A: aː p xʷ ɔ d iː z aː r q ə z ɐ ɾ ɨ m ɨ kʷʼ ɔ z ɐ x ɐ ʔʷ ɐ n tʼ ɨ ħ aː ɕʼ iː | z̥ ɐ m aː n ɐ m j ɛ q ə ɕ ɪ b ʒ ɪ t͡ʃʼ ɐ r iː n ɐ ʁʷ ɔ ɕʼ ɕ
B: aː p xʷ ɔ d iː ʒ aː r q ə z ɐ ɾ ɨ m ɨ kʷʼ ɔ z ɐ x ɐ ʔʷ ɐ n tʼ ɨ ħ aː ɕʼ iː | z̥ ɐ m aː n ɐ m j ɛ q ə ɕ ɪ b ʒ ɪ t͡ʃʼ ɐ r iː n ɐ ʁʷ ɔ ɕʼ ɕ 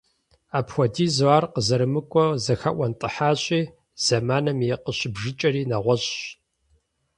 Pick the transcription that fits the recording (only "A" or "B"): A